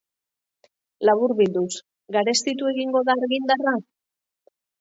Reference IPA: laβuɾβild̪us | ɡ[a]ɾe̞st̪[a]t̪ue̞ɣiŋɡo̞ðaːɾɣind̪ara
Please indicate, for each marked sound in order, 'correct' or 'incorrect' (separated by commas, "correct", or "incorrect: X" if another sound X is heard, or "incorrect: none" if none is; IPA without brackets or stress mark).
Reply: correct, incorrect: i